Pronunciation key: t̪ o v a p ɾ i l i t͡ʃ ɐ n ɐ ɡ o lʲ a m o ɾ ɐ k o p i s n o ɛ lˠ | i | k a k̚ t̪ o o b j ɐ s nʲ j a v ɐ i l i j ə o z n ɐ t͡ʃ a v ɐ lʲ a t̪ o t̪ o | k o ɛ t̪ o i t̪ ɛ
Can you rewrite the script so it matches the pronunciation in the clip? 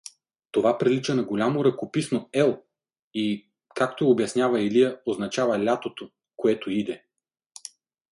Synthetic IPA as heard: t̪ o v a p ɾ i l i t͡ʃ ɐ n ɐ ɡ o lʲ a m o ɾ ɐ k o p i s n o ɛ lˠ | i | k a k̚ t̪ o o b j ɐ s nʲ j a v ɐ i l i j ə o z n ɐ t͡ʃ a v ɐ lʲ a t̪ o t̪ o | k o ɛ t̪ o i d̪ ɛ